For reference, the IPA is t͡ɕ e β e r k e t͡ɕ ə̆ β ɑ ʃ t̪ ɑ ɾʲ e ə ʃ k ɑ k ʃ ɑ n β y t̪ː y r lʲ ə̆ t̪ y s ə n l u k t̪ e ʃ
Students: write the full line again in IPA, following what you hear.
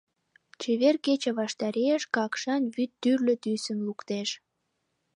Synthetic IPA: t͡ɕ e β e r k e t͡ɕ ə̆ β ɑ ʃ t̪ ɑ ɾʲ e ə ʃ k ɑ k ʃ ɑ n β y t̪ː y r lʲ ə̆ t̪ y s ə n l u k t̪ e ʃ